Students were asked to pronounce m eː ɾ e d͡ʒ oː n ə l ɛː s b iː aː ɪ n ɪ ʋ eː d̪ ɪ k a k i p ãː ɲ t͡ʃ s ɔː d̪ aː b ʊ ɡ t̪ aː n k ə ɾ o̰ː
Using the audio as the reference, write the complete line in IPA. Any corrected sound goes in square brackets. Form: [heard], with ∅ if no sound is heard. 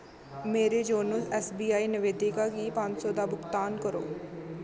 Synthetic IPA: m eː ɾ e d͡ʒ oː n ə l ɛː s b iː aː [i] n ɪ ʋ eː d̪ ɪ k a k i p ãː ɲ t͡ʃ s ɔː d̪ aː b ʊ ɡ t̪ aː n k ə ɾ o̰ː

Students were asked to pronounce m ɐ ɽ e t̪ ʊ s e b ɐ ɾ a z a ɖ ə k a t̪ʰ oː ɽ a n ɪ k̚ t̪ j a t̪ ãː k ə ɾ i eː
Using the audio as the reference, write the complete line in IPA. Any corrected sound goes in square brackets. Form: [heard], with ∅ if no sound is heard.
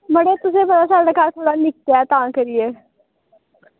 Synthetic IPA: m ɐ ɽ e t̪ ʊ s e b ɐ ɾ a [s] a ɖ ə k a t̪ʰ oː ɽ a n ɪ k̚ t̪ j a t̪ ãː k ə ɾ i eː

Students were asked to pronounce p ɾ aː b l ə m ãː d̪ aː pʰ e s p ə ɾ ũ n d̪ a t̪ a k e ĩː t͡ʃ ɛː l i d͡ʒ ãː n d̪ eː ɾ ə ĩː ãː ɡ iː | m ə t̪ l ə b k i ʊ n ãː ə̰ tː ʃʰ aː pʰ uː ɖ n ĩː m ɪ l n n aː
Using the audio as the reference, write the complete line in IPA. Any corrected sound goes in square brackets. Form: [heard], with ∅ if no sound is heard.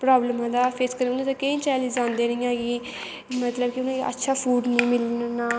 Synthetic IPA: p ɾ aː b l ə m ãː d̪ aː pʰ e s [k] ə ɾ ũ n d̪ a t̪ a k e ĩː t͡ʃ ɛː l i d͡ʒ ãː n d̪ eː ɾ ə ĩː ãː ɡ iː | m ə t̪ l ə b k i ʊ n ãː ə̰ tː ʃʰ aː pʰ uː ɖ n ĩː m ɪ l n n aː

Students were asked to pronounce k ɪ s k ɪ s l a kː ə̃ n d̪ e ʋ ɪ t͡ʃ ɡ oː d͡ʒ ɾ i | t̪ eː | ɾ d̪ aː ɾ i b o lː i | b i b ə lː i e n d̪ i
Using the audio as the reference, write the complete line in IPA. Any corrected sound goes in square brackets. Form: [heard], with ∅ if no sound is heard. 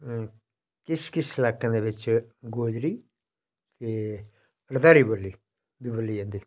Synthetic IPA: k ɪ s k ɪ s l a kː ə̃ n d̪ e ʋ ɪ t͡ʃ ɡ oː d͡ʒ ɾ i | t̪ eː | ɾ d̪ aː ɾ i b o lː i | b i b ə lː i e n d̪ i

